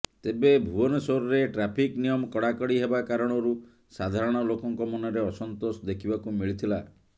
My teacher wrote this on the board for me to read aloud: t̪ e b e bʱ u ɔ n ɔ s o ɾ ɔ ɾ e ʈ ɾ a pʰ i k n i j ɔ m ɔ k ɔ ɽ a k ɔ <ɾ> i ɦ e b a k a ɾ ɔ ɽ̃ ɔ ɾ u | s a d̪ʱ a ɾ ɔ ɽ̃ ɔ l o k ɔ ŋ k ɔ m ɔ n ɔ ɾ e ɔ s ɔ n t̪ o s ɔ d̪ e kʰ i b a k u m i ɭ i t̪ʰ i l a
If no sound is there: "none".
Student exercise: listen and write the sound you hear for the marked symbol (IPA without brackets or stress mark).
ɽ